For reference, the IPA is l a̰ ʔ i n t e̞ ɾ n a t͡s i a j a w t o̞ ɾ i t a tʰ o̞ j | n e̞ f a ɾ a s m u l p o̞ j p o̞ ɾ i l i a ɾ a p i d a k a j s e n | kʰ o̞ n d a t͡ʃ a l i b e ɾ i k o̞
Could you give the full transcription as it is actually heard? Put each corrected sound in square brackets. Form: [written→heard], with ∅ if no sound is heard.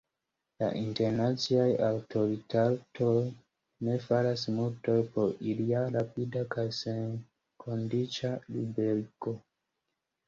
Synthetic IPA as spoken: l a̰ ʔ i n t e̞ ɾ n a t͡s i a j a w t o̞ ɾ i t a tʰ o̞ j | n e̞ f a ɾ a s m u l [p→t] o̞ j p o̞ ɾ i l i a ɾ a p i d a k a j s e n | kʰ o̞ n d [a→i] t͡ʃ a l i b e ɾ i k o̞